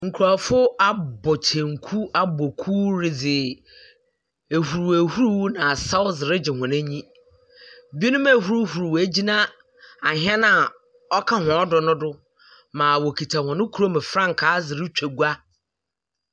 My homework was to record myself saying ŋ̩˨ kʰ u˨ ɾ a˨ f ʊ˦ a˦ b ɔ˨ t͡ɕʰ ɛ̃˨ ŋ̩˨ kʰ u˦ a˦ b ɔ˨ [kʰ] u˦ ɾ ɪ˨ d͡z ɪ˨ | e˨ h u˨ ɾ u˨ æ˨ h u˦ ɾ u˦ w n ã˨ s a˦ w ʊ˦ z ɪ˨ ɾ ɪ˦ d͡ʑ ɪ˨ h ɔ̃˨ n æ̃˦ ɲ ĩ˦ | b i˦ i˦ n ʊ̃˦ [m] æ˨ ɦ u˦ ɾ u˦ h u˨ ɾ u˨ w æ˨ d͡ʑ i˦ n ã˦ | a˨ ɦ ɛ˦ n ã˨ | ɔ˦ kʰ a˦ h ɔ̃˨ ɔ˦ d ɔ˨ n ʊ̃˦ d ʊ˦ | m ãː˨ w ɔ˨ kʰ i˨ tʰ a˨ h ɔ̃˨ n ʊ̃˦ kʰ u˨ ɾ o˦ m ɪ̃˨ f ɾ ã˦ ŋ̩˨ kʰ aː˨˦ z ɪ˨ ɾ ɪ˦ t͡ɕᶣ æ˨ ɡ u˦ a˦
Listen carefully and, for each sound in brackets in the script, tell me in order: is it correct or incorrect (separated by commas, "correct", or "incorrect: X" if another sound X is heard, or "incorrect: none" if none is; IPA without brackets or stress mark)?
correct, correct